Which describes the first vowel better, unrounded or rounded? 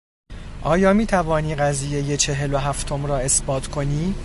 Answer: rounded